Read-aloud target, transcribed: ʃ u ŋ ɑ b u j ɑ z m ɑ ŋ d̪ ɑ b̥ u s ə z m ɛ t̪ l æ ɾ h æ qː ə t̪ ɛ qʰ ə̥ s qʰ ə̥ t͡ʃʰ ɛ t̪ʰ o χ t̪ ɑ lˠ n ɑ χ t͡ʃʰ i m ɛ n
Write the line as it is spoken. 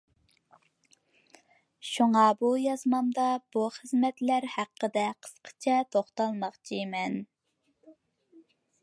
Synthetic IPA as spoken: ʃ u ŋ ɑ b u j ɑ z m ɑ m d̪ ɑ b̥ u χ ə z m ɛ t̪ l æ ɾ h æ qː ə d̪ ɛ qʰ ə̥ s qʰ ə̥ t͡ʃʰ ɛ t̪ʰ o χ t̪ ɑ lˠ m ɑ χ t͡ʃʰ i m ɛ n